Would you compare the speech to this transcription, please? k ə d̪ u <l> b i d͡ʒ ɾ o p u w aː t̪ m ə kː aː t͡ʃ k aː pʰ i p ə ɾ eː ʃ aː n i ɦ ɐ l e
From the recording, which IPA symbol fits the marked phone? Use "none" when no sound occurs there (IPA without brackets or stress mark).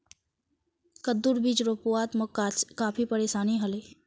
ɾ